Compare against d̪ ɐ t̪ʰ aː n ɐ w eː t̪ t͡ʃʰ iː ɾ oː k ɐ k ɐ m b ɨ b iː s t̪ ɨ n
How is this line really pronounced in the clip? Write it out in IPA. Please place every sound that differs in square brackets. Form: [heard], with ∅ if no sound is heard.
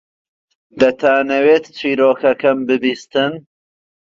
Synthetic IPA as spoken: d̪ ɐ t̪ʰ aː n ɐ w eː t̪ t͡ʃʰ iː ɾ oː k ɐ k ɐ m b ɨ b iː s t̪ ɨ n